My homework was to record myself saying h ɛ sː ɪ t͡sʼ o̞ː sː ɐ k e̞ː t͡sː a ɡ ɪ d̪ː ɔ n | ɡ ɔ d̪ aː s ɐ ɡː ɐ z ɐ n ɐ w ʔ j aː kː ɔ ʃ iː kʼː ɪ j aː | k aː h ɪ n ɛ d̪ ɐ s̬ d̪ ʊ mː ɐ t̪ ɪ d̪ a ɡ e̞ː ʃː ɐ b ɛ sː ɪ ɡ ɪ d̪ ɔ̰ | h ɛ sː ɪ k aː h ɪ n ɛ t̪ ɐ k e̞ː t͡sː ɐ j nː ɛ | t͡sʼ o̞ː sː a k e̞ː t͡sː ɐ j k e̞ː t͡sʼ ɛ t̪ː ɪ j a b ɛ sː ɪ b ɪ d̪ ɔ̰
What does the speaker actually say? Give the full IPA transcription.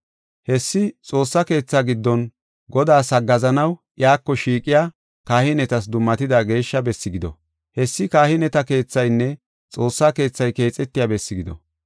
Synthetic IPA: h ɛ sː ɪ t͡sʼ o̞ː sː ɐ k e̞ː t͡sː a ɡ ɪ d̪ː ɔ n | ɡ ɔ d̪ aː s ɐ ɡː ɐ z ɐ n ɐ w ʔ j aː kː ɔ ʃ iː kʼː ɪ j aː | k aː h ɪ n ɛ t̪ ɐ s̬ d̪ ʊ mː ɐ t̪ ɪ d̪ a ɡ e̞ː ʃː ɐ b ɛ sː ɪ ɡ ɪ d̪ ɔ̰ | h ɛ sː ɪ k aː h ɪ n ɛ t̪ ɐ k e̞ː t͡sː ɐ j nː ɛ | t͡sʼ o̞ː sː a k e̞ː t͡sː ɐ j k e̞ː t͡sʼ ɛ t̪ː ɪ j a b ɛ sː ɪ ɡ ɪ d̪ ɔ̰